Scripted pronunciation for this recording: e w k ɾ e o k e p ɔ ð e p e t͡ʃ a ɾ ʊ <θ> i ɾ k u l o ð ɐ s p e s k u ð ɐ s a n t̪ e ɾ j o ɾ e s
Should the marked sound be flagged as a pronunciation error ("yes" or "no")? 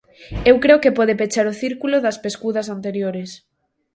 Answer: no